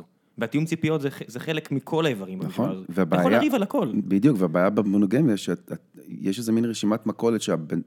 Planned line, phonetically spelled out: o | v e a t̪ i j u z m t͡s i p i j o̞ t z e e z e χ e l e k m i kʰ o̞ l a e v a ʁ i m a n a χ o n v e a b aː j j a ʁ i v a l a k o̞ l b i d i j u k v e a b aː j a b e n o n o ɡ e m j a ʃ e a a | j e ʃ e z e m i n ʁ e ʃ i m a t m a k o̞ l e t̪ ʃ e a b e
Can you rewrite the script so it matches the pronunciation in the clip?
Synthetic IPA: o | v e a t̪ i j u m t͡s i p i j o̞ t z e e z e χ e l e k m i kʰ o̞ l a e v a ʁ i m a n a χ o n v e a b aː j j a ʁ i v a l a k o̞ l b i d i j u k v e a b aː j a b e m o n o ɡ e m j a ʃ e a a | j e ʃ e z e m i n ʁ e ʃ i m a t m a k o̞ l e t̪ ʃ e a b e